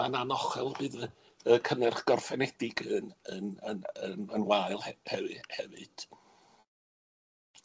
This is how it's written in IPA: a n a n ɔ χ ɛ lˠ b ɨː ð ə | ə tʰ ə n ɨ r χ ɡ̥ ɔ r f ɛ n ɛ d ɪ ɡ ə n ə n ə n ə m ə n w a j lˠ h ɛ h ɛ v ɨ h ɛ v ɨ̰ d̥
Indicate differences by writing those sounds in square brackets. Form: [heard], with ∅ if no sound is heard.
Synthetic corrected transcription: a n a n ɔ χ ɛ lˠ b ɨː ð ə | ə [kʰ] ə n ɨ r χ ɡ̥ ɔ r f ɛ n ɛ d ɪ ɡ ə n ə n ə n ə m ə n w a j lˠ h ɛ h ɛ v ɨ h ɛ v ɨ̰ d̥